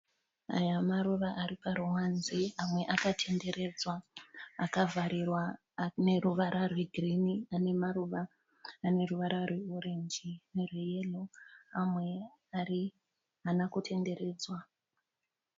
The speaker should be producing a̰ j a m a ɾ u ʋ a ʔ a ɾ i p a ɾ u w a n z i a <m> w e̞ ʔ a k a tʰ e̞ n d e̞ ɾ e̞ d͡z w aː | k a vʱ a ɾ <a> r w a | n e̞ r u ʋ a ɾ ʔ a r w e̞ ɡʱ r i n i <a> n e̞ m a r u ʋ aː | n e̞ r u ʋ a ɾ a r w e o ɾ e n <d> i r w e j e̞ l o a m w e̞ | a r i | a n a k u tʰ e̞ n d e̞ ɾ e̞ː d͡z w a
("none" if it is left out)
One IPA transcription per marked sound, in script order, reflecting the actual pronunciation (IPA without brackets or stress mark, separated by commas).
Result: m, i, a, d͡ʒ